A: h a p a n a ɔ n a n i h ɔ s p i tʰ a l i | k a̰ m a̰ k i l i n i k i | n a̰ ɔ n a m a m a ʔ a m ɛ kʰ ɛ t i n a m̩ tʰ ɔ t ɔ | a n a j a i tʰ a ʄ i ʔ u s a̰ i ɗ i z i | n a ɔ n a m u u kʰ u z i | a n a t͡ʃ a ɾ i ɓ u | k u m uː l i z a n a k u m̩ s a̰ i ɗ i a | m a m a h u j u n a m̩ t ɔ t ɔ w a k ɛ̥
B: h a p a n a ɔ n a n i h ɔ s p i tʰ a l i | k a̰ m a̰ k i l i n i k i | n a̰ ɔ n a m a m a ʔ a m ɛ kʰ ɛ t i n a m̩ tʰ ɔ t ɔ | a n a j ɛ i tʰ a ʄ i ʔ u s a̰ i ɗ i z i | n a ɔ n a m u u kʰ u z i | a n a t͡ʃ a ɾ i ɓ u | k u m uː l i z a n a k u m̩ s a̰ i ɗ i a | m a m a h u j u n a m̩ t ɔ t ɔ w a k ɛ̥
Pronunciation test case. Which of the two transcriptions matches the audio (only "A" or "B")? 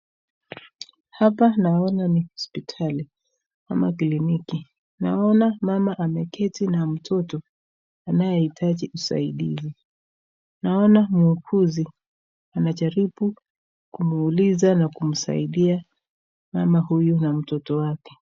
B